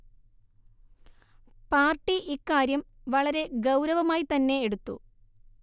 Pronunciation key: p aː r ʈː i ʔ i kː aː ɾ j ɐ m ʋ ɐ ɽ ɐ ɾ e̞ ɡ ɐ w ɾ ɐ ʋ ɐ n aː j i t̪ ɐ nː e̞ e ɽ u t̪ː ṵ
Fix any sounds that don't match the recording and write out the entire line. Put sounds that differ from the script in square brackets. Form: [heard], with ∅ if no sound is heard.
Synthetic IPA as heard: p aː r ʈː i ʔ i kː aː ɾ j ɐ m ʋ ɐ [ɭ] ɐ ɾ e̞ ɡ ɐ w ɾ ɐ ʋ ɐ [m] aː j i t̪ ɐ nː e̞ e ɽ u t̪ː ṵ